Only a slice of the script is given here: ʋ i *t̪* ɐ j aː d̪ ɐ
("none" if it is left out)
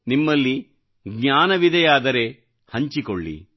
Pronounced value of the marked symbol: d̪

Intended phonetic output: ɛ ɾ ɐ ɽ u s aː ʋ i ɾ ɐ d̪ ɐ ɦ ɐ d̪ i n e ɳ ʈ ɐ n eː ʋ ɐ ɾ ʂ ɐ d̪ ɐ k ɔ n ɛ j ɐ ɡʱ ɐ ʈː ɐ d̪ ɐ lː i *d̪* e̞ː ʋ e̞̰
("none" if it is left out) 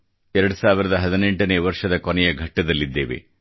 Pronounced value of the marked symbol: d̪ː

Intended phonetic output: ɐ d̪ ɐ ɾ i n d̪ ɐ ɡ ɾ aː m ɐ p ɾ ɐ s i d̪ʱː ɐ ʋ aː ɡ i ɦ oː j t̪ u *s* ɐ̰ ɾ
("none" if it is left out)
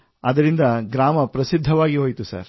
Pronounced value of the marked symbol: s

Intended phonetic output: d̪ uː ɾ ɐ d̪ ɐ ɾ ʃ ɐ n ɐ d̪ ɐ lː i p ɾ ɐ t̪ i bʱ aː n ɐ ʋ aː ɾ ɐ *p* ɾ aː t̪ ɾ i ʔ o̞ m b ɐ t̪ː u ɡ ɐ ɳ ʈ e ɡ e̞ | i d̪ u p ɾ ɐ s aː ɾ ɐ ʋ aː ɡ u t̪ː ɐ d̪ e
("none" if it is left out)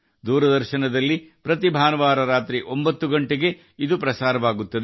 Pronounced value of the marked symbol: none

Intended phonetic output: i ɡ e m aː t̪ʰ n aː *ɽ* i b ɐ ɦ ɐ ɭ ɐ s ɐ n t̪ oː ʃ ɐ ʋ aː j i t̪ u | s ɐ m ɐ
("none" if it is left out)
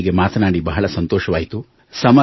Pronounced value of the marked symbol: ɽ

